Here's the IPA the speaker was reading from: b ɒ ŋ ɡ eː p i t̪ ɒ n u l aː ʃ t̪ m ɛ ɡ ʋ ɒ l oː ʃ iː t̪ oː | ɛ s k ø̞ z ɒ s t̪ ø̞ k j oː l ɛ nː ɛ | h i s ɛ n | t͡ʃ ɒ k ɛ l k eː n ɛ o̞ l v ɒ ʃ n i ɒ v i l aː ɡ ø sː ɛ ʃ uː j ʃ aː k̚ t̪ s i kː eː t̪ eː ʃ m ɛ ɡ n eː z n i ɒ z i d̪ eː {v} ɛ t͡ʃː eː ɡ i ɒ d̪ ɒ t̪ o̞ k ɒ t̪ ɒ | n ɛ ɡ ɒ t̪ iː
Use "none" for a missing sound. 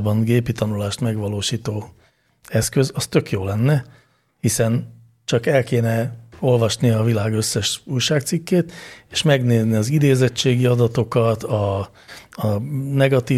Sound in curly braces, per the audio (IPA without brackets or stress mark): z